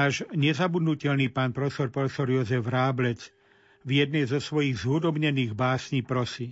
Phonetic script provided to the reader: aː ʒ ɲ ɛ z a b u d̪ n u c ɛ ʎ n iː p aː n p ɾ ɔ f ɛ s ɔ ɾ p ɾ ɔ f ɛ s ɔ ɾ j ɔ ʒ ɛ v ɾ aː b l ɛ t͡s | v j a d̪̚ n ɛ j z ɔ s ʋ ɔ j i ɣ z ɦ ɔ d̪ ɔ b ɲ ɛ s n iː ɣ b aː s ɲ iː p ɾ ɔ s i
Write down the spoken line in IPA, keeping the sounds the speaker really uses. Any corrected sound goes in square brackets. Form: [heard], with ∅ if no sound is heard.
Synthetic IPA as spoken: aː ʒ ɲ ɛ z a b u d̪ n u c ɛ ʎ n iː p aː n p ɾ ɔ f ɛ s ɔ ɾ p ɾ ɔ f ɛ s ɔ ɾ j ɔ [z] ɛ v ɾ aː b l ɛ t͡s | v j [ɛ] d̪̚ n ɛ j z ɔ s ʋ ɔ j i ɣ z ɦ [u] d̪ ɔ b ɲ ɛ [∅] n iː ɣ b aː s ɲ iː p ɾ ɔ s i